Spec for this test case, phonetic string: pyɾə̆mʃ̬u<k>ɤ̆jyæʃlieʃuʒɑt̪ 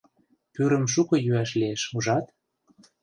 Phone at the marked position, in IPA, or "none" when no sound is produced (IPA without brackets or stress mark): k